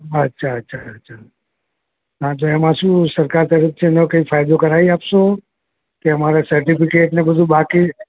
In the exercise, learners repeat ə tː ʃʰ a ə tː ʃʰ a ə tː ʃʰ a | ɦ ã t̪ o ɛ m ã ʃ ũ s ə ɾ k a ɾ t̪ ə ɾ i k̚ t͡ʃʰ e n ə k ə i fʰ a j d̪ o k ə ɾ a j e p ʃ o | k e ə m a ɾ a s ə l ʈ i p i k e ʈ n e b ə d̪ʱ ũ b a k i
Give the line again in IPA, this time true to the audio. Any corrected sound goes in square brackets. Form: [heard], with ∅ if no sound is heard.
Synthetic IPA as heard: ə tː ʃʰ a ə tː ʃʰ a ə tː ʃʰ a | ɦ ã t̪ o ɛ m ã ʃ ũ s ə ɾ k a ɾ t̪ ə ɾ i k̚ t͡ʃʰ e n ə k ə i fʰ a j d̪ o k ə ɾ a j [a] p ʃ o | k e ə m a ɾ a s ə [ɾ] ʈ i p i k e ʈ n e b ə d̪ʱ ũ b a k i

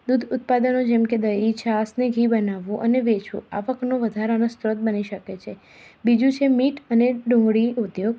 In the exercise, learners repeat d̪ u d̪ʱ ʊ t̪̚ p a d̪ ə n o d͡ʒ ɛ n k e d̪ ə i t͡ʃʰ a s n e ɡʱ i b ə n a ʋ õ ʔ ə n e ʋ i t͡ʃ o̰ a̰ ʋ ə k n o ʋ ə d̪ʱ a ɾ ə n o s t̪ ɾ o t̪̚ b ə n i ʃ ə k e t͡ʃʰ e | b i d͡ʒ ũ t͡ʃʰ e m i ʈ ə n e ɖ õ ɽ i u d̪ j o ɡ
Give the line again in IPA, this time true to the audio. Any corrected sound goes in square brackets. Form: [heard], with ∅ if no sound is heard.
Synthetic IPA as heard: d̪ u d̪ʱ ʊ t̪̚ p a d̪ ə n o d͡ʒ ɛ [m] k e d̪ ə i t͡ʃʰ a s n e ɡʱ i b ə n a ʋ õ ʔ ə n e ʋ [e] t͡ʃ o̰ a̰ ʋ ə k n o ʋ ə d̪ʱ a ɾ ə n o s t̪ ɾ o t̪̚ b ə n i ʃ ə k e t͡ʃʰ e | b i d͡ʒ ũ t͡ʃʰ e m i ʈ ə n e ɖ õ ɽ i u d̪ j o ɡ

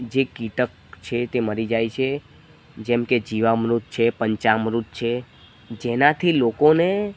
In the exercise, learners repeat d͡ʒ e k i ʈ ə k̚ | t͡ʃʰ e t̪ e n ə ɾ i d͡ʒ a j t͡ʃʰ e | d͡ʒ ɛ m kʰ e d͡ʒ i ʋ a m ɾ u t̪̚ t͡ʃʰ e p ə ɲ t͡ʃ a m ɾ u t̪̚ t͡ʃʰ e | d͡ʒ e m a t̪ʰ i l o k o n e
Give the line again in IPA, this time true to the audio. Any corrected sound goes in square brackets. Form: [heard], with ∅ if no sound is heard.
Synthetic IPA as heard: d͡ʒ e k i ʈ ə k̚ | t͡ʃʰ e t̪ e [m] ə ɾ i d͡ʒ a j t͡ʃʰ e | d͡ʒ ɛ m [k] e d͡ʒ i ʋ a m ɾ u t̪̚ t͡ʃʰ e p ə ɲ t͡ʃ a m ɾ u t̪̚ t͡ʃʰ e | d͡ʒ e [n] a t̪ʰ i l o k o n e

